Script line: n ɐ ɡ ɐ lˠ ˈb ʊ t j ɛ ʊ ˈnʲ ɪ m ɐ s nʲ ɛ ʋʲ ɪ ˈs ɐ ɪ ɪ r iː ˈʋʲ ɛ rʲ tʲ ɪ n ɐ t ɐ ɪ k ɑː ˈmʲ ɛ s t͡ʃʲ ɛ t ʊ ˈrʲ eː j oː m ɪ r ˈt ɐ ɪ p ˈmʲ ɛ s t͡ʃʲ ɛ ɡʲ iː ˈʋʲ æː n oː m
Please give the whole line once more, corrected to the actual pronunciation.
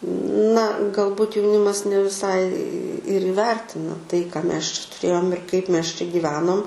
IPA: n ɐ ɡ ɐ lˠ ˈb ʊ t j ɛ ʊ ˈnʲ ɪ m ɐ s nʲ ɛ ʋʲ ɪ ˈs ɐ ɪ ɪ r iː ˈʋʲ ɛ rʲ tʲ ɪ n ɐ t ɐ ɪ k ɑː ˈmʲ ɛ s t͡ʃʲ ɛ t ʊ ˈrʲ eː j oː m ɪ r ˈk ɐ ɪ p ˈmʲ ɛ s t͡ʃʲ ɛ ɡʲ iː ˈʋʲ æː n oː m